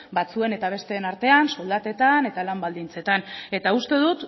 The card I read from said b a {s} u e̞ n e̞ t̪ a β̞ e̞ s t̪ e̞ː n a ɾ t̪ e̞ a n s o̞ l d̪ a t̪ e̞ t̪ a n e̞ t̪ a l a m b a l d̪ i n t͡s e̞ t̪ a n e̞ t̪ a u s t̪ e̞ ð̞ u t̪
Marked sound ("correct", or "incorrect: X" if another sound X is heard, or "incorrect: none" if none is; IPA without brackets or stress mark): incorrect: t͡s